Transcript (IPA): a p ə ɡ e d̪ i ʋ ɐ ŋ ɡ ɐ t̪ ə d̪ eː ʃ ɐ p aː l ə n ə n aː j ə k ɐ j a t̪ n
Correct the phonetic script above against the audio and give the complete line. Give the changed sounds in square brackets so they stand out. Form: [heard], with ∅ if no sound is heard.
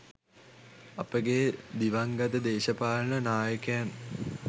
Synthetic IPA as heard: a p ə ɡ e d̪ i ʋ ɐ ŋ ɡ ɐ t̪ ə d̪ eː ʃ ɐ p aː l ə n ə n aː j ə k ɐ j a [∅] n